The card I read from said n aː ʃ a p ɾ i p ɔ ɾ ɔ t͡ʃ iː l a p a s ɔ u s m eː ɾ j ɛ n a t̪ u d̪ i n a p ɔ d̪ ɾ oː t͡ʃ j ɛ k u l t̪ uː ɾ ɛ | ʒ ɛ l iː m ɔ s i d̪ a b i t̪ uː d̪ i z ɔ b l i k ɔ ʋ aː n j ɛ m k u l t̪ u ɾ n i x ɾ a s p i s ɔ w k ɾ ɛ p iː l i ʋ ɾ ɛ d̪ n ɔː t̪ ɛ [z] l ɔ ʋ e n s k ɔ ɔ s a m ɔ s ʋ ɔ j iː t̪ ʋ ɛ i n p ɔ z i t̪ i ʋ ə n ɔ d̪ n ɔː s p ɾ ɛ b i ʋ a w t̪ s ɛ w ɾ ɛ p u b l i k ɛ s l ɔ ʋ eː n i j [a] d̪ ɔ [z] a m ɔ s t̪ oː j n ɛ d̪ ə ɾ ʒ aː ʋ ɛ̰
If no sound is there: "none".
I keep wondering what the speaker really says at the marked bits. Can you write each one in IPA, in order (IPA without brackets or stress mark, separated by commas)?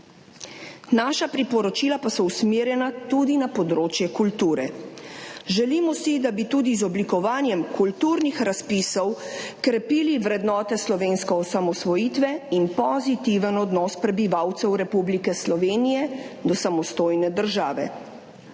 s, ɛ, s